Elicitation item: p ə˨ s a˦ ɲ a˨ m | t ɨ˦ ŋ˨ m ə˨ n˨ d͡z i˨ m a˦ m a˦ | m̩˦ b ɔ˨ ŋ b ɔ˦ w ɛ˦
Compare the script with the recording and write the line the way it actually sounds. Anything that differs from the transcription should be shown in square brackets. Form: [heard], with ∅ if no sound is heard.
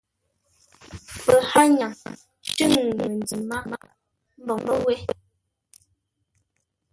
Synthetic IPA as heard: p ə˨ [h] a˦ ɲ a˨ [ŋ] | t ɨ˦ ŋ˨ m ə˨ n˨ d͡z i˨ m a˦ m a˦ | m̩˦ b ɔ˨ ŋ b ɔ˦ w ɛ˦